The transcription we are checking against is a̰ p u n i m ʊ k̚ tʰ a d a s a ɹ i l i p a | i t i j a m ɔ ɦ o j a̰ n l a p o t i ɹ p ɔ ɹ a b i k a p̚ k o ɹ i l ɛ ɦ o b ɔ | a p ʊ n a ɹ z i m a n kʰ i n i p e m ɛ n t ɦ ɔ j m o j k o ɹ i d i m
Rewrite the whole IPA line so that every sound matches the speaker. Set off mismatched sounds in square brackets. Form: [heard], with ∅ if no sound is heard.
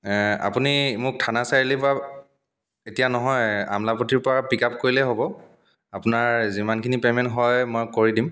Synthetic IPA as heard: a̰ p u n i m ʊ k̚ tʰ a [n] a s a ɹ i l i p a | [e] t i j a [n] ɔ ɦ [ɔ] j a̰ [m] l a p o t i ɹ p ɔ ɹ a [p] i k a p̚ k o ɹ i l ɛ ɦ o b ɔ | a p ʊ n a ɹ z i m a n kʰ i n i p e m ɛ n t ɦ ɔ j m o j k o ɹ i d i m